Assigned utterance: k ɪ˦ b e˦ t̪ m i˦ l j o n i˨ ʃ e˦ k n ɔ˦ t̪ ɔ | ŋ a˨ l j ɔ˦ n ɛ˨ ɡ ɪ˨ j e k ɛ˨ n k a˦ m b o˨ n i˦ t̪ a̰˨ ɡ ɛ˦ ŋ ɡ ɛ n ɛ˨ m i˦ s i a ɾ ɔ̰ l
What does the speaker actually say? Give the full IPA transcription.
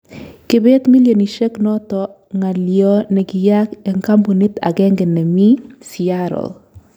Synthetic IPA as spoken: k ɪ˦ b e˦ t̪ m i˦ l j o n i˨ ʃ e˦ k n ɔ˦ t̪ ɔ | ŋ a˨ l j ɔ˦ n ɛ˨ ɡ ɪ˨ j a k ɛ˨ ŋ k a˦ m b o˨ n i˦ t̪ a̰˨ ɡ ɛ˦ ŋ ɡ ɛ n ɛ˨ m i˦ s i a ɾ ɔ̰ l